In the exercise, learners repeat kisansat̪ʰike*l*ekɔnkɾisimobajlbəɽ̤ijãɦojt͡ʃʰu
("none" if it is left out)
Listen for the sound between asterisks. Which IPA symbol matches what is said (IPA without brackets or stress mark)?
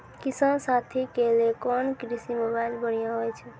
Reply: l